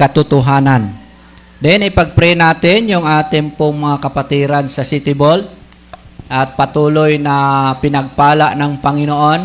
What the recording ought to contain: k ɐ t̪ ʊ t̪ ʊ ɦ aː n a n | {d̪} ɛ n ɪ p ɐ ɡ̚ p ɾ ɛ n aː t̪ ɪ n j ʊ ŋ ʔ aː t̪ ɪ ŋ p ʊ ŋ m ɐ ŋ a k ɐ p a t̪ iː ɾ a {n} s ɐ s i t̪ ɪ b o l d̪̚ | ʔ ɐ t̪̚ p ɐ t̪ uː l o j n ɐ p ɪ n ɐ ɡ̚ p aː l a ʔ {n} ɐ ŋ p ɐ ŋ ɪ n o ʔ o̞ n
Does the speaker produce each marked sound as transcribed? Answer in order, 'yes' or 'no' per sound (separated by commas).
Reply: yes, yes, yes